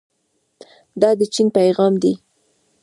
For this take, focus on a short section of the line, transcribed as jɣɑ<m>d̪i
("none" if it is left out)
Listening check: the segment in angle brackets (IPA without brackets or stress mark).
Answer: m